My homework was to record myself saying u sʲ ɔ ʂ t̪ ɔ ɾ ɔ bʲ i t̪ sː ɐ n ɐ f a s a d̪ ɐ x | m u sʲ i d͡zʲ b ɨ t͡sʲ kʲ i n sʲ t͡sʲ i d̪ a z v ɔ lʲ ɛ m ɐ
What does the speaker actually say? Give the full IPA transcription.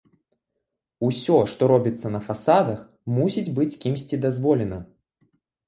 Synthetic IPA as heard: u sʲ ɔ ʂ t̪ ɔ ɾ ɔ bʲ i t̪ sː ɐ n ɐ f a s a d̪ ɐ x | m u sʲ i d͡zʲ b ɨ t͡sʲ kʲ i m sʲ t͡sʲ i d̪ a z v ɔ lʲ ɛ n ɐ